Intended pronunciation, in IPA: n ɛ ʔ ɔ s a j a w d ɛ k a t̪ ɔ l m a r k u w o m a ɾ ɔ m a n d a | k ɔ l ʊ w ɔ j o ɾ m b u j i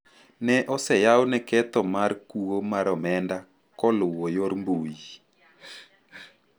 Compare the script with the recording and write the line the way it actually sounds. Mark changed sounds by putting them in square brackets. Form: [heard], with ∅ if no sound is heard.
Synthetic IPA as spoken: n ɛ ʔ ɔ s [ɛ] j a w [n] ɛ k [ɛ] t̪ ɔ [∅] m a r k u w o m a ɾ ɔ m [ɛ] n d a | k ɔ l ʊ w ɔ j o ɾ m b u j i